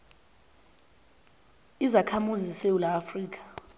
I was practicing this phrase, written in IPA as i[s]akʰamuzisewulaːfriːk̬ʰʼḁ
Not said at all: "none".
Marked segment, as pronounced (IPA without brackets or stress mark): z